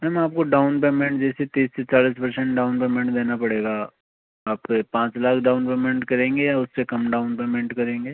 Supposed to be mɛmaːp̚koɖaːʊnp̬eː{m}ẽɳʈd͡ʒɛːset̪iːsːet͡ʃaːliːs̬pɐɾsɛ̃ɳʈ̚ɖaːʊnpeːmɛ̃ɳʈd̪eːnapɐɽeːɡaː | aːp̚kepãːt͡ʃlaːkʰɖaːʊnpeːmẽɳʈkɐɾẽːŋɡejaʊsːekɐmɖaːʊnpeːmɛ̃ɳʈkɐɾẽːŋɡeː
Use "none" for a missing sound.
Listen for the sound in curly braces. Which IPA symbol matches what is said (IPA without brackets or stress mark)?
m